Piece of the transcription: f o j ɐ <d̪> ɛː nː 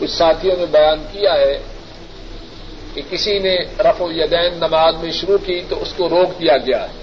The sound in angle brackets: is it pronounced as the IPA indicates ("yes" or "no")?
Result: yes